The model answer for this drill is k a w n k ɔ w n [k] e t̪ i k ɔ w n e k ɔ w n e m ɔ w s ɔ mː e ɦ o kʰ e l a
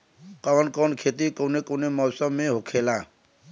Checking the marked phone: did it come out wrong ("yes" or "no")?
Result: yes